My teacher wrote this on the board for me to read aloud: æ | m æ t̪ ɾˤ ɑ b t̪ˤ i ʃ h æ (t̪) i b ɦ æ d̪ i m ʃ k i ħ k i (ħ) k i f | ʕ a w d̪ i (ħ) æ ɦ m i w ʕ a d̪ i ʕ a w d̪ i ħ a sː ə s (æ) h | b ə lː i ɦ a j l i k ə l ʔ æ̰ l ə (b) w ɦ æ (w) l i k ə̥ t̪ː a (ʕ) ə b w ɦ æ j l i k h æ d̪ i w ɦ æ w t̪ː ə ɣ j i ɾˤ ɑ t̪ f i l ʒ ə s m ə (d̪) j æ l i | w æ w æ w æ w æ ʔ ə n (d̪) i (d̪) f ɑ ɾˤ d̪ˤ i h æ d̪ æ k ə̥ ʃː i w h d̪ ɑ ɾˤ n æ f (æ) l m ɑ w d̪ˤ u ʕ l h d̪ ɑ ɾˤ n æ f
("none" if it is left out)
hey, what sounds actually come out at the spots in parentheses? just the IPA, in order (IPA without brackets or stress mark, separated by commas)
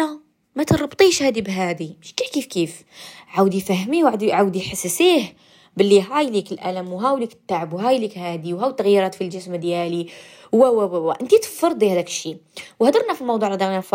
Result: d̪, f, f, i, m, w, ʕ, d̪, t̪, t̪, i